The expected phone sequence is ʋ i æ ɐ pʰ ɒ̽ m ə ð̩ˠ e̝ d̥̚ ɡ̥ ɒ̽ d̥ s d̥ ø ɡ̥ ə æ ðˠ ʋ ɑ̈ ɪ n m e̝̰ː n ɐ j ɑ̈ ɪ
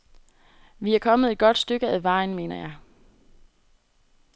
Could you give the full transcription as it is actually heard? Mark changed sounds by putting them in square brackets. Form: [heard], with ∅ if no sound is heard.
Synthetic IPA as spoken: ʋ i æ ɐ [kʰ] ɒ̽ m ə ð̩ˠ e̝ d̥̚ ɡ̥ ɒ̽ d̥ s d̥ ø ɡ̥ ə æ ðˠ ʋ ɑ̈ ɪ n m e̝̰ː n ɐ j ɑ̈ ɪ